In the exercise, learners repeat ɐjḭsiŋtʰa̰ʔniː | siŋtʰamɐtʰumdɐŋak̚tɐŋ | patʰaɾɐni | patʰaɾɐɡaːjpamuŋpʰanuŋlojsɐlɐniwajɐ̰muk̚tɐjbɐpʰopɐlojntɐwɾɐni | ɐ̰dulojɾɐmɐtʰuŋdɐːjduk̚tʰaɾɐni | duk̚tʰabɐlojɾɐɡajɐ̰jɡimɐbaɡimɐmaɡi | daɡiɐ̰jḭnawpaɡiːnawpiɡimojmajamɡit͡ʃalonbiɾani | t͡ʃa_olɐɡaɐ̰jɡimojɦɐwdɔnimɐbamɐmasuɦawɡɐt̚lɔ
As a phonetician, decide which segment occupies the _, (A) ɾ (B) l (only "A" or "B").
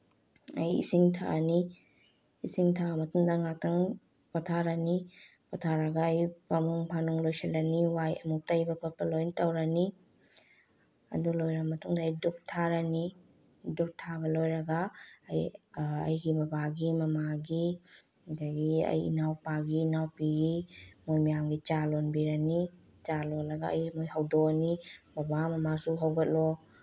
B